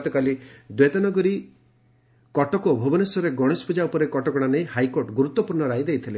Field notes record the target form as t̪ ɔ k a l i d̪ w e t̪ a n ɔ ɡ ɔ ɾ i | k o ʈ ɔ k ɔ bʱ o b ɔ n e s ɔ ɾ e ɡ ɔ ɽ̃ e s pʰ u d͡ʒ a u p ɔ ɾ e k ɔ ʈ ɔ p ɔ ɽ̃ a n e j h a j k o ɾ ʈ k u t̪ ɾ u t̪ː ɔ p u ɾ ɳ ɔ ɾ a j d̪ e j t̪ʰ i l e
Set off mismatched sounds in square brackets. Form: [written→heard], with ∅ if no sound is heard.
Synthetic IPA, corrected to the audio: t̪ ɔ k a l i d̪ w e t̪ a n ɔ ɡ ɔ ɾ i | k [o→ɔ] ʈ ɔ k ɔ bʱ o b ɔ n e s ɔ ɾ e ɡ ɔ ɽ̃ e s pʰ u d͡ʒ a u p ɔ ɾ e k ɔ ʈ ɔ [p→k] ɔ ɽ̃ a n e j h a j k o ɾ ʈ [k→ɡ] u [t̪→∅] ɾ u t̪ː ɔ p u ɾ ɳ ɔ ɾ a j d̪ e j t̪ʰ i l e